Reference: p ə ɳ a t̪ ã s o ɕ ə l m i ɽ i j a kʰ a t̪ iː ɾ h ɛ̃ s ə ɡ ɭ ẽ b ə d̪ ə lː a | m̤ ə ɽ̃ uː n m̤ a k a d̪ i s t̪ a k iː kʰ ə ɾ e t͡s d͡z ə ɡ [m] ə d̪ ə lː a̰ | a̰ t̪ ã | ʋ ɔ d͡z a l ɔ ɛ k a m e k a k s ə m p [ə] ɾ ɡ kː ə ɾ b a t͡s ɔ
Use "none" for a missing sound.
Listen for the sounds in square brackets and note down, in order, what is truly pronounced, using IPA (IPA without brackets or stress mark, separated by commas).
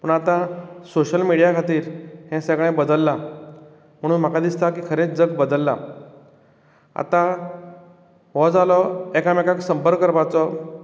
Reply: b, ə